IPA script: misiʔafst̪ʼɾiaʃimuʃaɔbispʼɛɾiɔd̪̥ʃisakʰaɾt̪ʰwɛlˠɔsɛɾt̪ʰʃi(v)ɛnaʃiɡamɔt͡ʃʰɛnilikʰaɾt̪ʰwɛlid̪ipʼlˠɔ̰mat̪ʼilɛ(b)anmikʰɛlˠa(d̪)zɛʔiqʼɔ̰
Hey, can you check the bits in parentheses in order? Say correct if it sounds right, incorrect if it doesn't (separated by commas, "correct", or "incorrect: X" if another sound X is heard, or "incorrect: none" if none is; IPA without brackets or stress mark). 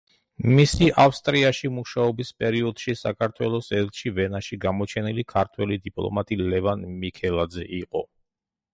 correct, incorrect: v, correct